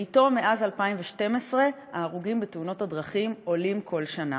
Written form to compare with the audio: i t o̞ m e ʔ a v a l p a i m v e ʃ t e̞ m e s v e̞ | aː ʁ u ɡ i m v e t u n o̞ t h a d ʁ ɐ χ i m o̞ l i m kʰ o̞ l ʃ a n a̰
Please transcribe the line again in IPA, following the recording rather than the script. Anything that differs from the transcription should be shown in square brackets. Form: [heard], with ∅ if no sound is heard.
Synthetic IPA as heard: i t o̞ m e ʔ a [z] a l p a i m v e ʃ t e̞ m e s [ʁ] e̞ | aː ʁ u ɡ i m [b] e t u n o̞ t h a d ʁ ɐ χ i m o̞ l i m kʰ o̞ l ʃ a n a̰